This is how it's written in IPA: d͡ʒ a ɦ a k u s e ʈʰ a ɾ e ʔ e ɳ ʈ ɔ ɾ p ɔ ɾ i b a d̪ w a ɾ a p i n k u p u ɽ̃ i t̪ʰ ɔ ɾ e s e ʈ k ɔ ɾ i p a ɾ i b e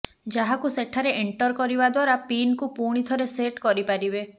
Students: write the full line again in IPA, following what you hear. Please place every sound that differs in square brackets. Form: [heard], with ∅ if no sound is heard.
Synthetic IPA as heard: d͡ʒ a ɦ a k u s e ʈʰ a ɾ e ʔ e ɳ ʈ ɔ ɾ [k] ɔ ɾ i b a d̪ w a ɾ a p i n k u p u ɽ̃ i t̪ʰ ɔ ɾ e s e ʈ k ɔ ɾ i p a ɾ i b e